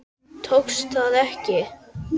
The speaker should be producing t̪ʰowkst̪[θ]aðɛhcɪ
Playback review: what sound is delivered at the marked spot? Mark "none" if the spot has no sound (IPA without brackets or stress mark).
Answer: θ